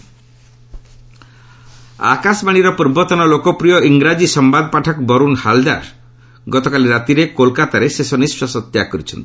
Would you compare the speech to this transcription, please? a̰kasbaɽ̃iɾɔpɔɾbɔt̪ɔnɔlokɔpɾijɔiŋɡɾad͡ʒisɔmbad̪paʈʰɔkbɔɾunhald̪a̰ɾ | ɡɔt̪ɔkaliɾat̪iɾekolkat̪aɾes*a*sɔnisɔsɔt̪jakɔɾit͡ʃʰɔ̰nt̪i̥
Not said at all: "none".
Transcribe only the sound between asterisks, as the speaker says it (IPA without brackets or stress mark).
e